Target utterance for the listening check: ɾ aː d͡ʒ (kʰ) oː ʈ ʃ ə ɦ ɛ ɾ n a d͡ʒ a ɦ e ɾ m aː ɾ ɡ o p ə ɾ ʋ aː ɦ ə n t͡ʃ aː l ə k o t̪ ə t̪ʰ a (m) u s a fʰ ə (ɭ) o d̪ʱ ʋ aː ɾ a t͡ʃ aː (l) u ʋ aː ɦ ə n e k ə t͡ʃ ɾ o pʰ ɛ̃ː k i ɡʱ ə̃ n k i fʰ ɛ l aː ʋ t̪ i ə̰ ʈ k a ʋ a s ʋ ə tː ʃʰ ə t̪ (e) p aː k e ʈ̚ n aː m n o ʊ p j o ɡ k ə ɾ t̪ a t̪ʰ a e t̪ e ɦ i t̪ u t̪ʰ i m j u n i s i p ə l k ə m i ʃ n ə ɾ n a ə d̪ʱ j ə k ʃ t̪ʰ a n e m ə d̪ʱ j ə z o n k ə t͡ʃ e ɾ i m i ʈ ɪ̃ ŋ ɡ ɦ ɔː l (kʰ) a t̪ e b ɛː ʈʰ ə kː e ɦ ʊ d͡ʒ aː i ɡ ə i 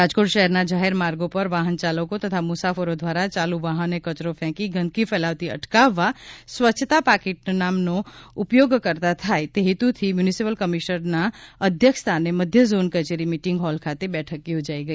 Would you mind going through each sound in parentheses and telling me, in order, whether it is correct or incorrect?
incorrect: k, correct, incorrect: ɾ, correct, incorrect: a, correct

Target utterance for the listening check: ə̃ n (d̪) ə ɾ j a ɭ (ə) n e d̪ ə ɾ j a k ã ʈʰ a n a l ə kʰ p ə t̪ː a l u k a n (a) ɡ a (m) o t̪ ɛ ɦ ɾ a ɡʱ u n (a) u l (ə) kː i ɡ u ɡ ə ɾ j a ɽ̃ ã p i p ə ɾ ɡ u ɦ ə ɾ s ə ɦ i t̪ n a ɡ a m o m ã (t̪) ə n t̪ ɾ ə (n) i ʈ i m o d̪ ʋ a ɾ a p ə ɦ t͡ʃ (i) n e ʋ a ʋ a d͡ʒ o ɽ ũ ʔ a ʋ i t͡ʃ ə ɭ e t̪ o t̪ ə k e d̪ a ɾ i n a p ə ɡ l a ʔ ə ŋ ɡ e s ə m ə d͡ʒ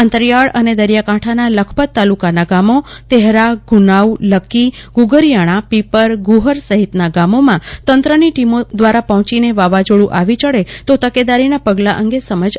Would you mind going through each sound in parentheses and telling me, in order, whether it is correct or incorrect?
incorrect: t̪, correct, correct, correct, correct, correct, correct, correct, correct

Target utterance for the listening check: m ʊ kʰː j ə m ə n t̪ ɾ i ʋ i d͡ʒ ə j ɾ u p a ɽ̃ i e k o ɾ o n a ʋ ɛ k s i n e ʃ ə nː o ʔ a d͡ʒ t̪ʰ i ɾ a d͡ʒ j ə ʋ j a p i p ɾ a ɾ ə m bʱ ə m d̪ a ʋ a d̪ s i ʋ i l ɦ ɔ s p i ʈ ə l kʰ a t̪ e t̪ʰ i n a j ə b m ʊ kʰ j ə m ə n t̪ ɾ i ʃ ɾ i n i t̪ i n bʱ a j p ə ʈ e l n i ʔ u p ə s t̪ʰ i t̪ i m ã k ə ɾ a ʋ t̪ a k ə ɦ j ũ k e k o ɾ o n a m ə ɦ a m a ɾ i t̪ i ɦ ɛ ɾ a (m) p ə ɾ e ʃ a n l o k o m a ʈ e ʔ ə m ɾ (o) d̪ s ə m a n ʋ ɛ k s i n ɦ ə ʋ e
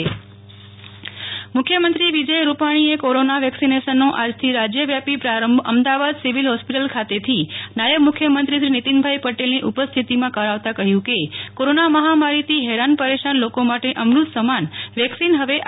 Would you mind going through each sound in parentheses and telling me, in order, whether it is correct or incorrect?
incorrect: n, incorrect: u

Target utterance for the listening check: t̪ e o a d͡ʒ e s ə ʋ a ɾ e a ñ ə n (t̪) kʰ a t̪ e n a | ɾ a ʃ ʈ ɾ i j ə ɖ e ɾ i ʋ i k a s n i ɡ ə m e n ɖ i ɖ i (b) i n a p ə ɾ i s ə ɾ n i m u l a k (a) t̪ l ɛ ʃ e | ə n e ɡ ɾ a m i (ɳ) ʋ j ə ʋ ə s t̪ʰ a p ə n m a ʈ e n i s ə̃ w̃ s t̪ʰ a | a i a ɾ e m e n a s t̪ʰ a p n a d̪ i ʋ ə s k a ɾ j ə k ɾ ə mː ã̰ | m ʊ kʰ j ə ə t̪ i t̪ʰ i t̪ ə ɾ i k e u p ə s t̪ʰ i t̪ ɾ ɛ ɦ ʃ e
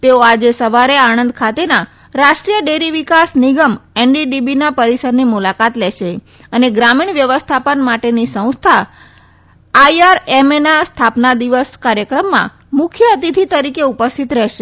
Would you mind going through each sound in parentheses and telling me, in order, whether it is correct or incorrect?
incorrect: d̪, correct, correct, correct

